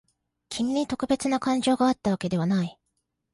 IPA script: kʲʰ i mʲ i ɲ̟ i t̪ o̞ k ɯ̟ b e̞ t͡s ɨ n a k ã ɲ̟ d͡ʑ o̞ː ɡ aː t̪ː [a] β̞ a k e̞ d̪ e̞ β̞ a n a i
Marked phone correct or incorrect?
correct